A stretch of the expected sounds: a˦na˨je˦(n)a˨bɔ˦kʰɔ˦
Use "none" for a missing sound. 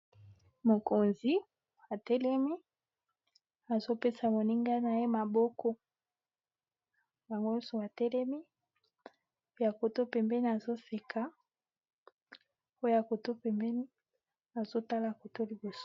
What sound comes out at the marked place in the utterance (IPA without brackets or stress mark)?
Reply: m